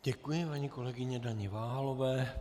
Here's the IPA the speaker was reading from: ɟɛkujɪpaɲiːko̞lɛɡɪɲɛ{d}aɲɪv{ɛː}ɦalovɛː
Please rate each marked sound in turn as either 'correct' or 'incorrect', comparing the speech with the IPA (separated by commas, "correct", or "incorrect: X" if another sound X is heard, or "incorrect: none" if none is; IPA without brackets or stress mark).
correct, incorrect: aː